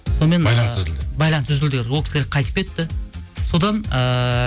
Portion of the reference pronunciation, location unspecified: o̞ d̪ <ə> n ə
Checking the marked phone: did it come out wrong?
yes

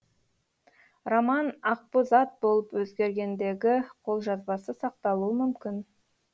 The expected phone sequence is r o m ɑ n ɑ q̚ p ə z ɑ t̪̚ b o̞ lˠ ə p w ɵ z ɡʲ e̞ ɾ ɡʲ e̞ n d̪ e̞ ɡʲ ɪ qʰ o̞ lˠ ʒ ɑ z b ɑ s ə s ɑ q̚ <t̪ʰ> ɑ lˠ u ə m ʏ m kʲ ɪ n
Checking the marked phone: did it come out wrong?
yes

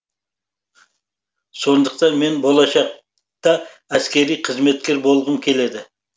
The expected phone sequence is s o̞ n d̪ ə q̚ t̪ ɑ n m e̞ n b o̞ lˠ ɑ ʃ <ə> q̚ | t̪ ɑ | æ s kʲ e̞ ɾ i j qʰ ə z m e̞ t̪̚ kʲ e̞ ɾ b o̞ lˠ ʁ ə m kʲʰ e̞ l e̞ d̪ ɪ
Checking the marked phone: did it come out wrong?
yes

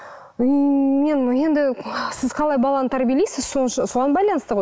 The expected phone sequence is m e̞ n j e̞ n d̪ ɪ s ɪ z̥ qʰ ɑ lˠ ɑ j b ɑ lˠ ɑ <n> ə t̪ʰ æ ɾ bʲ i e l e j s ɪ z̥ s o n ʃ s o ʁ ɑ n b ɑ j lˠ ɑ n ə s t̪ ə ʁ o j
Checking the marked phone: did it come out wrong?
no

